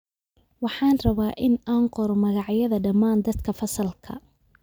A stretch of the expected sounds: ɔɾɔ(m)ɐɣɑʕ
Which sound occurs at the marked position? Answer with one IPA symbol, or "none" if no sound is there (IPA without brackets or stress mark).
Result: m